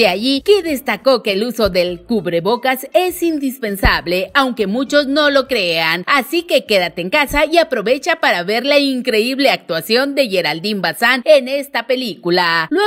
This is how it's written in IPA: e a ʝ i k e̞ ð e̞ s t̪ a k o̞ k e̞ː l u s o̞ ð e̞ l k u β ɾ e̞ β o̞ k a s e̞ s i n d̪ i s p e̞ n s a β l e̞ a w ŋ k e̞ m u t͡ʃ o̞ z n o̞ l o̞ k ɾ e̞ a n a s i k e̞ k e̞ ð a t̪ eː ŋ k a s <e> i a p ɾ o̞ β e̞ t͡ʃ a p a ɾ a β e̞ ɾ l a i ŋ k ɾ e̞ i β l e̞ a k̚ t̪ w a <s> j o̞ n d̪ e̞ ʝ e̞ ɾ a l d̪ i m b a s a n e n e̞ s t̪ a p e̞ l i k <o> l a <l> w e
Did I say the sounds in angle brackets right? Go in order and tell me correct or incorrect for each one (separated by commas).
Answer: incorrect, correct, incorrect, correct